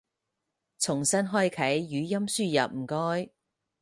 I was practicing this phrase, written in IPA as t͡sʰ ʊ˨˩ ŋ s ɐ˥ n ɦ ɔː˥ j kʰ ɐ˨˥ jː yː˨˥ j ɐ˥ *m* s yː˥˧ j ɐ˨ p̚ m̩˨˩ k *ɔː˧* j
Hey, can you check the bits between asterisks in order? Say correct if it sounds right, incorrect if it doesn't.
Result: correct, incorrect

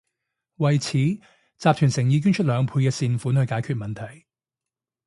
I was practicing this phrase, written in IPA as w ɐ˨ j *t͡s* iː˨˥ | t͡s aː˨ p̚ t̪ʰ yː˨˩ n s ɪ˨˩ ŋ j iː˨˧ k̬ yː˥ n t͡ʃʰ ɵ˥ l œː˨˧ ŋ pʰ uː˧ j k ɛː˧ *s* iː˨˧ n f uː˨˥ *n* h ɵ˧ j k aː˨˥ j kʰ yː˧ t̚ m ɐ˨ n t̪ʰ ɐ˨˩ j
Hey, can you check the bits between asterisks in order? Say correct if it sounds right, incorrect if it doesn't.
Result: incorrect, correct, correct

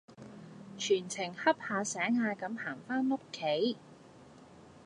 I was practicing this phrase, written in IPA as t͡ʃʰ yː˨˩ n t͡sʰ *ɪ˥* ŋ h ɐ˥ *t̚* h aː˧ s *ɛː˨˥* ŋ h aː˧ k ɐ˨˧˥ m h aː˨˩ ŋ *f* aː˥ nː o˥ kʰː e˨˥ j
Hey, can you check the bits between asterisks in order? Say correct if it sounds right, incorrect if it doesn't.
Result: incorrect, incorrect, correct, correct

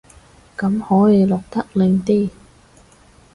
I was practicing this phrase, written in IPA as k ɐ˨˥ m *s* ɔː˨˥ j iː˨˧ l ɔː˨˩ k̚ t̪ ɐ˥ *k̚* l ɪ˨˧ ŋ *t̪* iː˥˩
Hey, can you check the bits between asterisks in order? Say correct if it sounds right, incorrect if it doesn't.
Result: incorrect, correct, correct

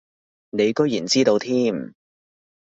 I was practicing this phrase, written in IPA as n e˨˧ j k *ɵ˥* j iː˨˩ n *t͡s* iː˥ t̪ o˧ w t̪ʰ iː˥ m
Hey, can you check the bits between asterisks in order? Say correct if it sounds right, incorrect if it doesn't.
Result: correct, correct

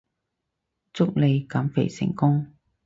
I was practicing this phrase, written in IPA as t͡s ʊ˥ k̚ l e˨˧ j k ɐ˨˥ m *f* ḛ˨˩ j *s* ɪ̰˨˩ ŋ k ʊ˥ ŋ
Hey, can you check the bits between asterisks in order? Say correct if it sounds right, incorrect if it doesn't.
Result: correct, correct

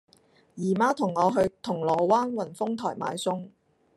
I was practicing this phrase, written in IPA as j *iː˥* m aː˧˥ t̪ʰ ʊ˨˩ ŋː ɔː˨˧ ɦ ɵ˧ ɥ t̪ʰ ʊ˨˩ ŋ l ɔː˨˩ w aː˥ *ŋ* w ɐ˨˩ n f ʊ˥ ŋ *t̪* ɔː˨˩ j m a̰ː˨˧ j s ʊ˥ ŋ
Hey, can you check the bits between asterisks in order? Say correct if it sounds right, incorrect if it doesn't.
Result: incorrect, incorrect, incorrect

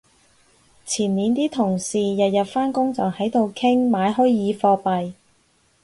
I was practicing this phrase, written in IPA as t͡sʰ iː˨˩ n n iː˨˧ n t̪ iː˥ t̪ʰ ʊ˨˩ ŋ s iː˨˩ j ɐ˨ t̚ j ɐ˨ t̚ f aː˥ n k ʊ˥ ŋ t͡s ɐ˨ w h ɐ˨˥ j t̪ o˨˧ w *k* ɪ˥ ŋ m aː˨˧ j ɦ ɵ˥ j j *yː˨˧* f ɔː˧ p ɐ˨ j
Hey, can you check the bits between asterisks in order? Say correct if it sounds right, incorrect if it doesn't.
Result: incorrect, incorrect

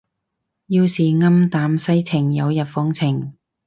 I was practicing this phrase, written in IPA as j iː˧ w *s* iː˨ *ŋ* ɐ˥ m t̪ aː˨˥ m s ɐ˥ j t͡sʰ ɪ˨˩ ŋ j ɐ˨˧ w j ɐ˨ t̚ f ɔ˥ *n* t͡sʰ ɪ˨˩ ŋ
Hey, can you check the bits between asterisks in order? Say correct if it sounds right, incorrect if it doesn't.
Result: correct, correct, incorrect

